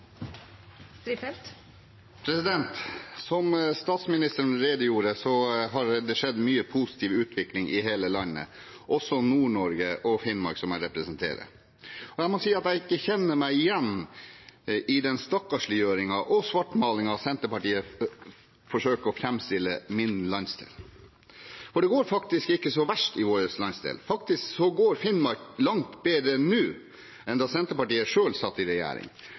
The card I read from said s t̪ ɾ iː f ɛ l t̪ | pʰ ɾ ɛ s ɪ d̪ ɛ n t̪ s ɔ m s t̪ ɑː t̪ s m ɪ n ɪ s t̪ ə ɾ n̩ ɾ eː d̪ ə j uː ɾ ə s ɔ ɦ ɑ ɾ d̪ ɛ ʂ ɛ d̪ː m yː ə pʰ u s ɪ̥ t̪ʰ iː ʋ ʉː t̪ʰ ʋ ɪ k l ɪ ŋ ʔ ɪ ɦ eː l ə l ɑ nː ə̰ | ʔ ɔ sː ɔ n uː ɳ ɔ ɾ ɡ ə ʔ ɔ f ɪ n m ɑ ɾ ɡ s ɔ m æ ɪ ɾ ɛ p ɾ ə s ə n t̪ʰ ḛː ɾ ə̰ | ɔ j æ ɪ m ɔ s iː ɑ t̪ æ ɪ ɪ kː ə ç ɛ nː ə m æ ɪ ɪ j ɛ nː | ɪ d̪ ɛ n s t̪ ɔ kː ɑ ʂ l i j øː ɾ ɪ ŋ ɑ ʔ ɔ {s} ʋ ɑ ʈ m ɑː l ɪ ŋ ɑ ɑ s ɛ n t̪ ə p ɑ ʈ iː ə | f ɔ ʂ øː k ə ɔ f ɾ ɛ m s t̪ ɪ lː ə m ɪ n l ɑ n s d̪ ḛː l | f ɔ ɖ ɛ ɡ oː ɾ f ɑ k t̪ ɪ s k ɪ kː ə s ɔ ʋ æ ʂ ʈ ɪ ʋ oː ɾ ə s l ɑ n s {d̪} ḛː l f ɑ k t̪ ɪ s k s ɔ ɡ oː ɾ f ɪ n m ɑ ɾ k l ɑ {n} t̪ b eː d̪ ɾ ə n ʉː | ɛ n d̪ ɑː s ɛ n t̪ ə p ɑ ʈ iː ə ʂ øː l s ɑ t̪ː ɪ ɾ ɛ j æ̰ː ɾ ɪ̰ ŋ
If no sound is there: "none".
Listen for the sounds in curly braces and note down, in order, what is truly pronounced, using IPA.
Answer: s, d̪, ŋ

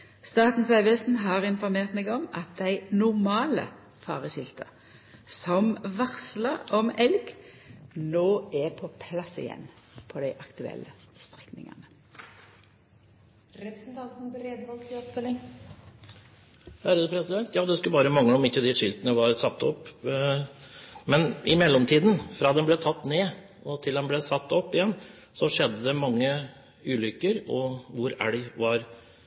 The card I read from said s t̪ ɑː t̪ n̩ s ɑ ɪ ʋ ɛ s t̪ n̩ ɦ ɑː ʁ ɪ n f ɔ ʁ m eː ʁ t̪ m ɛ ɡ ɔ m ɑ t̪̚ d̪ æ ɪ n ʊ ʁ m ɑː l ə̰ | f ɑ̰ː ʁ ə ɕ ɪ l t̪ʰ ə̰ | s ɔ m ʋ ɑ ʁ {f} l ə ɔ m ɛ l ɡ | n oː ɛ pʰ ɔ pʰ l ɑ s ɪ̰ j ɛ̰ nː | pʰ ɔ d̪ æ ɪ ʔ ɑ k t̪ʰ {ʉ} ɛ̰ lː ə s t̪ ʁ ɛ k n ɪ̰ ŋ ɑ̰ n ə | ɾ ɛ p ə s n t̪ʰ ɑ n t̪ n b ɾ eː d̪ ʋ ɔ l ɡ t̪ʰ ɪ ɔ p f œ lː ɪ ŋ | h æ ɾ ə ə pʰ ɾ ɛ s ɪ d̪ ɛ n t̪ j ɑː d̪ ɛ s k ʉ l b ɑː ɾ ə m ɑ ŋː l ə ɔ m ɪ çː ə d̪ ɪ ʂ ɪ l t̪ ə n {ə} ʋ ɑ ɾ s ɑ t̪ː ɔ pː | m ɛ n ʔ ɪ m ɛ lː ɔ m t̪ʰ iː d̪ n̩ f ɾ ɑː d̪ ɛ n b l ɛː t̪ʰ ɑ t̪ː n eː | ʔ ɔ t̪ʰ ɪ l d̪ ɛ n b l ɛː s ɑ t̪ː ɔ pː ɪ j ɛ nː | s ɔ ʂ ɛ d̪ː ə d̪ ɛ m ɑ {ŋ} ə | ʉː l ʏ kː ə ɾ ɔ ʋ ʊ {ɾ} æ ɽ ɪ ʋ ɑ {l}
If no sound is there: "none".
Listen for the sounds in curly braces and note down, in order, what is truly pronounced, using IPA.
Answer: s, ʉ, ə, ŋː, ɾ, ɾ

